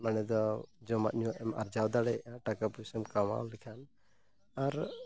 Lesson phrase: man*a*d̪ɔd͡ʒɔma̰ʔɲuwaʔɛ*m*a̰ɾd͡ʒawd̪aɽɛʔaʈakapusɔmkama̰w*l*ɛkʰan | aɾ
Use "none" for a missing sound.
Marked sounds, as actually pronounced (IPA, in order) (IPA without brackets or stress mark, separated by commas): ɛ, m, l